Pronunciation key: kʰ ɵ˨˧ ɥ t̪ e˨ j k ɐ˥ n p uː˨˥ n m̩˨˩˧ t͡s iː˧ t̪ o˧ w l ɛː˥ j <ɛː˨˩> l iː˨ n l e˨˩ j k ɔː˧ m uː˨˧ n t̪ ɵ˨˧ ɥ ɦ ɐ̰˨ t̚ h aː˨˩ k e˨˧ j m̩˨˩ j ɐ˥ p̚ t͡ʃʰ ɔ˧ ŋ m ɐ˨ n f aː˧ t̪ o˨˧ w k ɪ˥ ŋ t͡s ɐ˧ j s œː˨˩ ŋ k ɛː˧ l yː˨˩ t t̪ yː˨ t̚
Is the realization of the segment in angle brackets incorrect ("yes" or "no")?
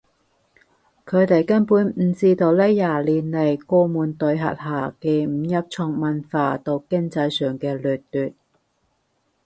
yes